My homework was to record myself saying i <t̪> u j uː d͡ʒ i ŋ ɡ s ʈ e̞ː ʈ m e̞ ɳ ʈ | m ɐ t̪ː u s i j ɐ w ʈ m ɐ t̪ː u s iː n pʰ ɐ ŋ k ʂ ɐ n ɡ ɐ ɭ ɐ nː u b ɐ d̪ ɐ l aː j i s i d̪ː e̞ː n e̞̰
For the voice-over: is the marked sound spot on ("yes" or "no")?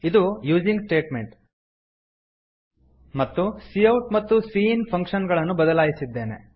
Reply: no